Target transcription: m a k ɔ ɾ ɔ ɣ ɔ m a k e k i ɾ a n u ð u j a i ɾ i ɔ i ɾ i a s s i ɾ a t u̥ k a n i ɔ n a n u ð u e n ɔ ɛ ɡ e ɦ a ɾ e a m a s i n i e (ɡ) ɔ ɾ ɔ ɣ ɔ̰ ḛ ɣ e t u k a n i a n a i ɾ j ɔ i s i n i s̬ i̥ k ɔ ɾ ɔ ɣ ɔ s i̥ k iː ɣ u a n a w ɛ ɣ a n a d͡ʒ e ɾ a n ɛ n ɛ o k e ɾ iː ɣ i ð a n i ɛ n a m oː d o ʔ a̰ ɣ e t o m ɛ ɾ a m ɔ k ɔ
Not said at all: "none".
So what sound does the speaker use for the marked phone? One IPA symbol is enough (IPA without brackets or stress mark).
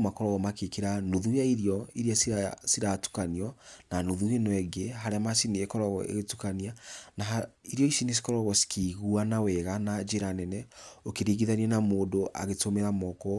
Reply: k